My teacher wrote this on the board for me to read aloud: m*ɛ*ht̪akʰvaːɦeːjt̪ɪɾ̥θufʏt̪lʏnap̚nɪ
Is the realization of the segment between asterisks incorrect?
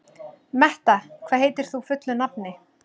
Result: no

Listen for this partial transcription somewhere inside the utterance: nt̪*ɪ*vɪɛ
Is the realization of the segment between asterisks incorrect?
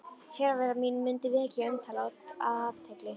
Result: no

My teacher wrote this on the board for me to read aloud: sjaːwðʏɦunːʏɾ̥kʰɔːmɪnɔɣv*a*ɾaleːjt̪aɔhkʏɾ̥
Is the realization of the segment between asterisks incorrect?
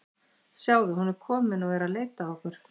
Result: yes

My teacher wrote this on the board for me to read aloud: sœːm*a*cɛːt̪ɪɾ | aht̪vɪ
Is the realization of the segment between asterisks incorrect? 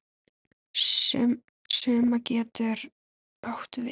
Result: no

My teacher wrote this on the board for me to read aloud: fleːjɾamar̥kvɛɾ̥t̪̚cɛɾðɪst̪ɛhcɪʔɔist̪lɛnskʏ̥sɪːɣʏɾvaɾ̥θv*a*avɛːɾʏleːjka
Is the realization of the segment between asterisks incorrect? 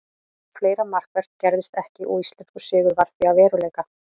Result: yes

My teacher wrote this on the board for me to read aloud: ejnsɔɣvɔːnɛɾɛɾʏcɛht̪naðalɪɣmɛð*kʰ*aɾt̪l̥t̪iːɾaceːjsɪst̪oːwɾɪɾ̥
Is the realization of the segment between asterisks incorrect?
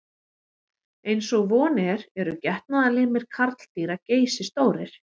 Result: no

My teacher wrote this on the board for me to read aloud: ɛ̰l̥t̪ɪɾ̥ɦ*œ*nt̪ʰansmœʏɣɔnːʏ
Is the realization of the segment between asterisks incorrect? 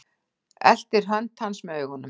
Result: no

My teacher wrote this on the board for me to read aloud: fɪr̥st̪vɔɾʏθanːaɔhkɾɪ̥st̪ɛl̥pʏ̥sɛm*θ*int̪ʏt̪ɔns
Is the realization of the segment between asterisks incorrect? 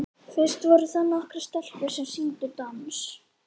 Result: yes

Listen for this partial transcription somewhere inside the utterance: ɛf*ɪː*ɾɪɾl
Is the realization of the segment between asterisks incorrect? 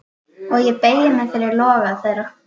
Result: yes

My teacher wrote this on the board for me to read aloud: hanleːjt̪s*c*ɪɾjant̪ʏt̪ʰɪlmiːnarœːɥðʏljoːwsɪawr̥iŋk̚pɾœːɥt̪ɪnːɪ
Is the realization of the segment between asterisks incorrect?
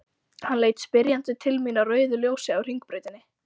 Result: yes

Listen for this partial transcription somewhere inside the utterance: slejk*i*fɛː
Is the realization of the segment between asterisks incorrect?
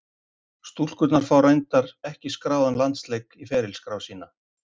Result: no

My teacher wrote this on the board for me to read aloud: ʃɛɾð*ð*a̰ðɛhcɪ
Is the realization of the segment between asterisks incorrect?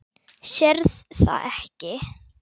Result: yes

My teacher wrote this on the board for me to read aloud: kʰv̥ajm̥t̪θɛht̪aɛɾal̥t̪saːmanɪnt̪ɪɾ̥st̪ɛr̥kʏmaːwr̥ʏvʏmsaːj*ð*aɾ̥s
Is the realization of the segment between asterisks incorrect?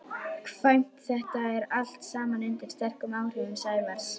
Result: yes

